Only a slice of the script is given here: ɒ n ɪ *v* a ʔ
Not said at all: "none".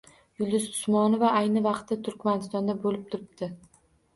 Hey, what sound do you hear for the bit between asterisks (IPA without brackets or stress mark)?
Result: v